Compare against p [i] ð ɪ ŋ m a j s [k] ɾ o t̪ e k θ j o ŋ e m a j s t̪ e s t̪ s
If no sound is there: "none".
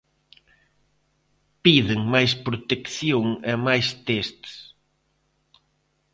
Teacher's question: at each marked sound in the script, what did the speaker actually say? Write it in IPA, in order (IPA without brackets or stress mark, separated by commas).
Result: i, p